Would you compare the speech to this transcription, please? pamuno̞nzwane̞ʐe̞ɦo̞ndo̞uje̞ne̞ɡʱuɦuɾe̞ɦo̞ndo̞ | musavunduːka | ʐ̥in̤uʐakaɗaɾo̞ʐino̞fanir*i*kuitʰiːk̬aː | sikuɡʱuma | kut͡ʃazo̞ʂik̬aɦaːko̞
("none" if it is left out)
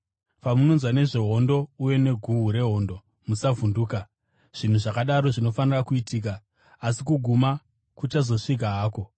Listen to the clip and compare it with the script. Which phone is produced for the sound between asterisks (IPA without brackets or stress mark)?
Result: a